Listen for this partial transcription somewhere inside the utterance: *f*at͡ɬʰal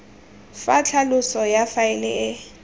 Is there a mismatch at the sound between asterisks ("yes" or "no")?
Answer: no